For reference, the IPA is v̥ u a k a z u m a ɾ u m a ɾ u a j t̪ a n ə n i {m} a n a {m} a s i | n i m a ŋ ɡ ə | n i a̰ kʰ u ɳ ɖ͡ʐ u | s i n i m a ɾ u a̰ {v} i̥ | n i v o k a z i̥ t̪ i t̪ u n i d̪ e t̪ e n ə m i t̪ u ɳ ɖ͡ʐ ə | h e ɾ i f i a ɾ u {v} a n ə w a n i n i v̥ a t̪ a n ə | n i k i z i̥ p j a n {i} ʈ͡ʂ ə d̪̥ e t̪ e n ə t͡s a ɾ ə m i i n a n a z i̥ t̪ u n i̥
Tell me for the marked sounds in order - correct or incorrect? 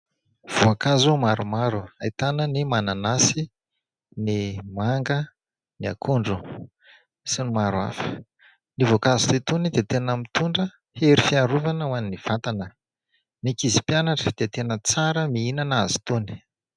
correct, incorrect, incorrect, correct, incorrect

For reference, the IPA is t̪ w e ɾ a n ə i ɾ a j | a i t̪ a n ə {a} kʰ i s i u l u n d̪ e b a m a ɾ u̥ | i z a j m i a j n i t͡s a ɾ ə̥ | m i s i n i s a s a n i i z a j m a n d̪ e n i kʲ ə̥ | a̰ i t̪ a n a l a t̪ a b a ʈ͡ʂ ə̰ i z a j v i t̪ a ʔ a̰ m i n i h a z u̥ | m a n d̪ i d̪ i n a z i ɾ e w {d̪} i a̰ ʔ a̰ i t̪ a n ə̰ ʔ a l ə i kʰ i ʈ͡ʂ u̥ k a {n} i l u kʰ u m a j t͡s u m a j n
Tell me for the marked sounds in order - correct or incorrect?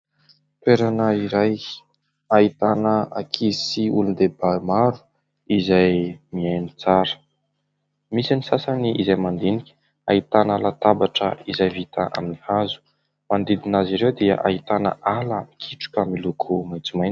correct, correct, incorrect

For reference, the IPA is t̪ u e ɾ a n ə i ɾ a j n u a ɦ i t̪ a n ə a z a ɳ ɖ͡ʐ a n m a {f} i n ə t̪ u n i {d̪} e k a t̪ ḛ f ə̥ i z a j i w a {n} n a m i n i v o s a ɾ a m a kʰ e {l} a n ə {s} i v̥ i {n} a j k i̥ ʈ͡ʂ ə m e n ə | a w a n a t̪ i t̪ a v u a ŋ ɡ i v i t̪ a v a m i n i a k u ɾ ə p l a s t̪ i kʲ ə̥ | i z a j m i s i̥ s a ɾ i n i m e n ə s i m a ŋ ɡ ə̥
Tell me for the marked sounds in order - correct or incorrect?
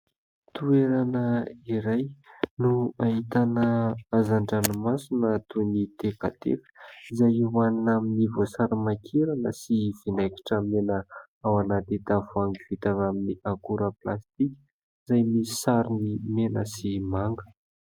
incorrect, incorrect, correct, incorrect, correct, correct

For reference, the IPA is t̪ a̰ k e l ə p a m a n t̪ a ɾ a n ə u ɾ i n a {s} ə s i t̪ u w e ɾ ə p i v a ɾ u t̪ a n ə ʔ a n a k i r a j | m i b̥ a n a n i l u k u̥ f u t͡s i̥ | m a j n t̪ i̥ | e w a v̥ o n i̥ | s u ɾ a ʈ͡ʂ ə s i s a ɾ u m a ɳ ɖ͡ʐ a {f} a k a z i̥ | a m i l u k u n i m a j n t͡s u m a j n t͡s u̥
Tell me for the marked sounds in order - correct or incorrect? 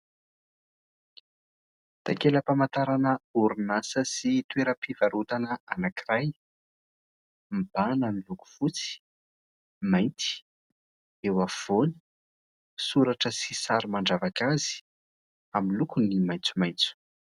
correct, incorrect

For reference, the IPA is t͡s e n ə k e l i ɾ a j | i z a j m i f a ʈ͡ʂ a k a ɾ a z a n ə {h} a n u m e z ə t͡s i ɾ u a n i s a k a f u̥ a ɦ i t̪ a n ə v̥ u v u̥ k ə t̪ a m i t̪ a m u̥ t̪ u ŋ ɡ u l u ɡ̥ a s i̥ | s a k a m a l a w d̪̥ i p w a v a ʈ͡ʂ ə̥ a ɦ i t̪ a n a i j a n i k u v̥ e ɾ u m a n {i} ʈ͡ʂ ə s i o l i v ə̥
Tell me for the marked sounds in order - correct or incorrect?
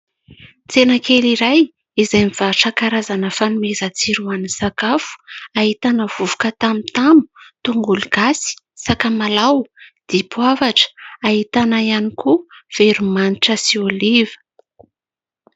incorrect, correct

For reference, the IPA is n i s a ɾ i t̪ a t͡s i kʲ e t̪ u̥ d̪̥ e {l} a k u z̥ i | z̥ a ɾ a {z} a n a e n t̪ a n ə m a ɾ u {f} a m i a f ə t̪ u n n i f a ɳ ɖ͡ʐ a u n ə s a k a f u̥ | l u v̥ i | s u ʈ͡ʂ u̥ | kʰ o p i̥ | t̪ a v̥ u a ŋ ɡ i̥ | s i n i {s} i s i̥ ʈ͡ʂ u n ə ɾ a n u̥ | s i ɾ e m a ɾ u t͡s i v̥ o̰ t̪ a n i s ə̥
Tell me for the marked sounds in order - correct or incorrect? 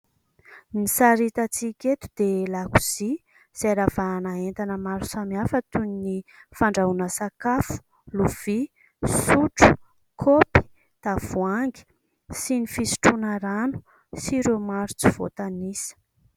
correct, incorrect, incorrect, incorrect

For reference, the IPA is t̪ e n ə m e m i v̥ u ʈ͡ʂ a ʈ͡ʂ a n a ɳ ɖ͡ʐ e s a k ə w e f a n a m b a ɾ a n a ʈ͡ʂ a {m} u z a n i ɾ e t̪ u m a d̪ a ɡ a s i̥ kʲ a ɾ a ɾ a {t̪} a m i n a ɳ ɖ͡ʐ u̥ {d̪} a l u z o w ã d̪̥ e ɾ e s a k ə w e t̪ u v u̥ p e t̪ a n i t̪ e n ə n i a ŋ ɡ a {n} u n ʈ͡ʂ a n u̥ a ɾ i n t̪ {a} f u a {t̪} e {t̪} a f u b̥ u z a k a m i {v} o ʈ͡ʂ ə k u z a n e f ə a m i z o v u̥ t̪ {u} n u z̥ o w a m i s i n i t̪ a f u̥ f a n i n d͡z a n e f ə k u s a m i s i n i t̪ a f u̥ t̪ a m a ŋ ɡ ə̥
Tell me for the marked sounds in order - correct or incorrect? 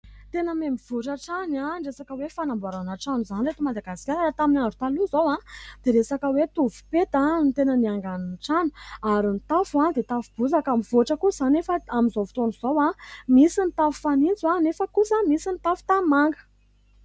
incorrect, correct, incorrect, correct, correct, incorrect, correct, correct, incorrect

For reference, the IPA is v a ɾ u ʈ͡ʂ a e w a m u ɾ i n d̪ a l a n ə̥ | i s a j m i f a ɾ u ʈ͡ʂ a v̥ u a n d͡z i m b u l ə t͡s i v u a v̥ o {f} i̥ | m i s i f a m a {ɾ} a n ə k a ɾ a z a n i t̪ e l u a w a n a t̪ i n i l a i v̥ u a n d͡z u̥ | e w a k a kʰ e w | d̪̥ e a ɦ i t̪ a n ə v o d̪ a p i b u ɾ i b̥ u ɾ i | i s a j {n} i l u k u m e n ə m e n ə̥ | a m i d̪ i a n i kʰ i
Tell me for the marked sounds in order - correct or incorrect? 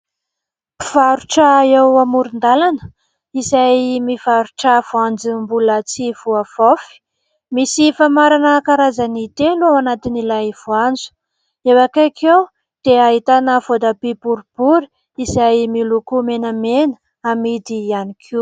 correct, correct, incorrect

